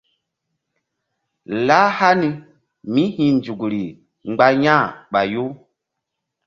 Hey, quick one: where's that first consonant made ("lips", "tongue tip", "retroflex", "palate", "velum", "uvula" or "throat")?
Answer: tongue tip